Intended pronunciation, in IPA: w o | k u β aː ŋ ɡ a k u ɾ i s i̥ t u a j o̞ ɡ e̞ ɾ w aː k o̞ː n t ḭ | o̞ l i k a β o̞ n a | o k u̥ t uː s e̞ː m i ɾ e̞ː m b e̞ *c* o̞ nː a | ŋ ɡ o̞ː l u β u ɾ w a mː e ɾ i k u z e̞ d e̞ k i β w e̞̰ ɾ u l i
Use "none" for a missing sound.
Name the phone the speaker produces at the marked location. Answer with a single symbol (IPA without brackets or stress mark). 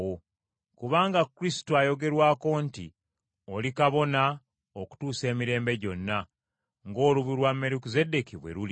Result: ɟ